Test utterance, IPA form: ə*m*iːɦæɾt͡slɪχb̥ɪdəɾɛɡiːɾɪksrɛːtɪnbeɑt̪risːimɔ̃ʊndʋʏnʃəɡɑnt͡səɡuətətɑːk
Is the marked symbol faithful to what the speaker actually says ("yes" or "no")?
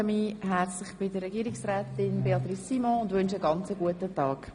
yes